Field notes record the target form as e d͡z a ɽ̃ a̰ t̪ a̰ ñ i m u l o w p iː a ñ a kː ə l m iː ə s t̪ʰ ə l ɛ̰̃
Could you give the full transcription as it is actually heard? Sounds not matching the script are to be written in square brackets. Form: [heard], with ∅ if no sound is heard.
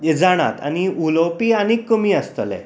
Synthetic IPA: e d͡z a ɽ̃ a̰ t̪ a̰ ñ i [∅] u l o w p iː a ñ [i] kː ə [∅] m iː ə s [t̪] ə l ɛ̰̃